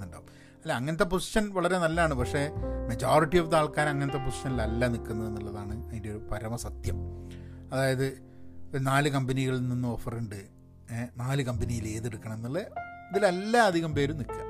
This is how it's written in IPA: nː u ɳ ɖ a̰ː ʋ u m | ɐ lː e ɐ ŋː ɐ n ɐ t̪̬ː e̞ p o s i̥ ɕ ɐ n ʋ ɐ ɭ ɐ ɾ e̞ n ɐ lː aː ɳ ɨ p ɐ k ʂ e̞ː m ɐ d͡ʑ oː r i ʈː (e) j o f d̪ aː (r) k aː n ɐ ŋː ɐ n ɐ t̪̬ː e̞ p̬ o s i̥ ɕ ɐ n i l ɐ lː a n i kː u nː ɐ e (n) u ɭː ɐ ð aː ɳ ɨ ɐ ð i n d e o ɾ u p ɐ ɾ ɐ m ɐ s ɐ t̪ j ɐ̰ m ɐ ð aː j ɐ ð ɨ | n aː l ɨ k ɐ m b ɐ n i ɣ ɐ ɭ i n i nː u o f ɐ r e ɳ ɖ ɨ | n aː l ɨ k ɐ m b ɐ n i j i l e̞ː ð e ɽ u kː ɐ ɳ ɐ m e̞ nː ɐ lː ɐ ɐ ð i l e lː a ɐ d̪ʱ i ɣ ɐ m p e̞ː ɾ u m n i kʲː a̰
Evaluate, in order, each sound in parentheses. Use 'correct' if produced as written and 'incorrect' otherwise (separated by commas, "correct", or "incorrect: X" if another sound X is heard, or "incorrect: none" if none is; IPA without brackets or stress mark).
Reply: incorrect: i, incorrect: ɭ, incorrect: nː